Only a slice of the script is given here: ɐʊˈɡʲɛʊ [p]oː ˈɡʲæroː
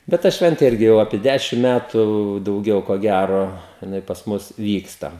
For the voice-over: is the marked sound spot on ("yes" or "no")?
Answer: no